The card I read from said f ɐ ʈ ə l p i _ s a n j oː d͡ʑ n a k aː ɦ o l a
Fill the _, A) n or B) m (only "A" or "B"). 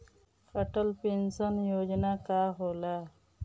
A